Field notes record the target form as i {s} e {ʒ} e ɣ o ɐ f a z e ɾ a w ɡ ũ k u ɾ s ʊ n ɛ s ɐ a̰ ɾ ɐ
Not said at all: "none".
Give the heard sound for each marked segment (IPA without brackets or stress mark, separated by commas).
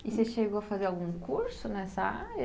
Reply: s, ʃ